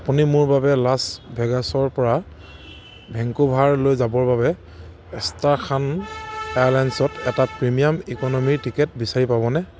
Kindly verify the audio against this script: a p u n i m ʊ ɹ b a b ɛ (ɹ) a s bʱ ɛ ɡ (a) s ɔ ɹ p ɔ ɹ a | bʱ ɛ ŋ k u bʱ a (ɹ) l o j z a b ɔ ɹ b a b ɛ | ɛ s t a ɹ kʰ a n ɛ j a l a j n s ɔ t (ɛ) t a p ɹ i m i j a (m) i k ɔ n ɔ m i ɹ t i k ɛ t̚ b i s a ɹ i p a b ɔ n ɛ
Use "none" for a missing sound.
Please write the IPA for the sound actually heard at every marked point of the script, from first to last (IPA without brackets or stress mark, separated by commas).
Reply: l, a, ɹ, ɛ, m